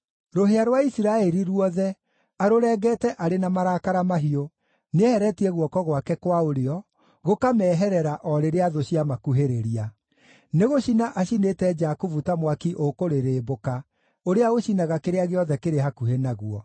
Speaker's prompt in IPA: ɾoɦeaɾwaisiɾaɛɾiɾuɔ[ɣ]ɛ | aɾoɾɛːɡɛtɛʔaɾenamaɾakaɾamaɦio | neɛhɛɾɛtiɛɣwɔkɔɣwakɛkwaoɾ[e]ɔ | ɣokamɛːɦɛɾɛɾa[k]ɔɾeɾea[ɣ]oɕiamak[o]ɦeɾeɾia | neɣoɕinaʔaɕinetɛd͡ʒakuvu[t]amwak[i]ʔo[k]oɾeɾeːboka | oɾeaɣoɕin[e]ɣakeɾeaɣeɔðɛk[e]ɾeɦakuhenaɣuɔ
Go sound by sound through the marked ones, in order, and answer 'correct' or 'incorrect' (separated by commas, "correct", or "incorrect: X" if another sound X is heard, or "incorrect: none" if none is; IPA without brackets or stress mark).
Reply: incorrect: ð, correct, incorrect: ʔ, incorrect: ð, incorrect: u, correct, correct, correct, incorrect: a, correct